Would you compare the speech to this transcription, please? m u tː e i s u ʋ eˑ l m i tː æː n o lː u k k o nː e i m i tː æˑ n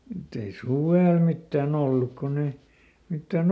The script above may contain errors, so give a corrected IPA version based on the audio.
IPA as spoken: m u tː e i s u ʋ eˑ l m i tː æː n o lː u k k o nː e i m i tː æˑ n